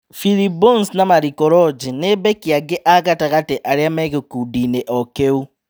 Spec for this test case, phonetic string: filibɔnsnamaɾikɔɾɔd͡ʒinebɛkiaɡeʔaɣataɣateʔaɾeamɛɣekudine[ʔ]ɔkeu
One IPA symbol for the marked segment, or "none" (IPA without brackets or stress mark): ʔ